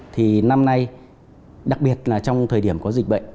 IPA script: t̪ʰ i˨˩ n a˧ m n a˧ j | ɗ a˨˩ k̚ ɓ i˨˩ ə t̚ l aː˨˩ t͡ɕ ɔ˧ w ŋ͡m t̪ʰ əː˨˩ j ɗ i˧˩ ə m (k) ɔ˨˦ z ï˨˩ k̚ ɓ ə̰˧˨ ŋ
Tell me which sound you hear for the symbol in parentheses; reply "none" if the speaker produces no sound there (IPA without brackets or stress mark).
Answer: k